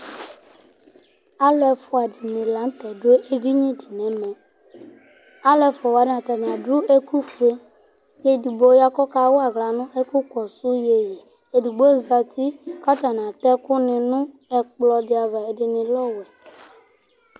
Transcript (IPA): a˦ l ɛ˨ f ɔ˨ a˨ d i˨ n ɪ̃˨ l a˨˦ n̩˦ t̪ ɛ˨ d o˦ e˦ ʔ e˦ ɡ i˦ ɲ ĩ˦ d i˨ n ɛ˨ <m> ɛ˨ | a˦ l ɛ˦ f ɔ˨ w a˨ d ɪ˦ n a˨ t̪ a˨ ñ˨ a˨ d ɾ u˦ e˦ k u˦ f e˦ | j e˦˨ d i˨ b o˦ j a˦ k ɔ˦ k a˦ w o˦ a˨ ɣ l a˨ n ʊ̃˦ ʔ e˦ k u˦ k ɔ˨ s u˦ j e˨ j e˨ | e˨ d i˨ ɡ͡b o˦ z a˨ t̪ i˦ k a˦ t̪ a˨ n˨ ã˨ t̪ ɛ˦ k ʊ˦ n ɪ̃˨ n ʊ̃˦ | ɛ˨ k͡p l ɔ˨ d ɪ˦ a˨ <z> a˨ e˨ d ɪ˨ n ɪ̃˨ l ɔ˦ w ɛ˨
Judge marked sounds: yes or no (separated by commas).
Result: yes, no